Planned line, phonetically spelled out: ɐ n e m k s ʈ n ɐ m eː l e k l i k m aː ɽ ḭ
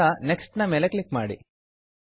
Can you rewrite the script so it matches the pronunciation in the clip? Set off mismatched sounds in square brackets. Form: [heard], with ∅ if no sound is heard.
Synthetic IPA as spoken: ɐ n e [∅] k s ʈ n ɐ m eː l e k l i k m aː ɽ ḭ